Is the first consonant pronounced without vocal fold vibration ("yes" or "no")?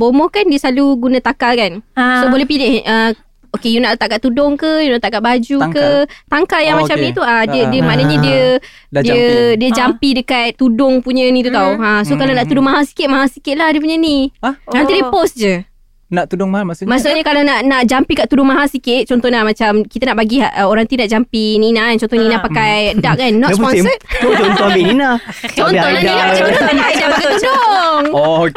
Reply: no